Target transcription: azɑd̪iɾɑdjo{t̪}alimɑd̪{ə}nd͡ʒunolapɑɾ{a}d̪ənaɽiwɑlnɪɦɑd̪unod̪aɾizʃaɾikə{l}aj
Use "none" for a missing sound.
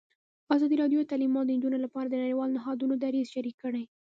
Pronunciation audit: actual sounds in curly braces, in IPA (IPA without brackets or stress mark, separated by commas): t̪, ə, a, ɽ